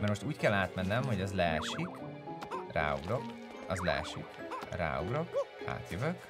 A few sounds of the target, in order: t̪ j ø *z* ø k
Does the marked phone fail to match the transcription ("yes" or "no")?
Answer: yes